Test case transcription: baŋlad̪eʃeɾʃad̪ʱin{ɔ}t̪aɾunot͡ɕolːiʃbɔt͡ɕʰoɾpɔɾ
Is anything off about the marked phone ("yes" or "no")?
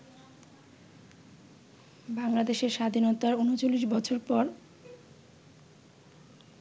yes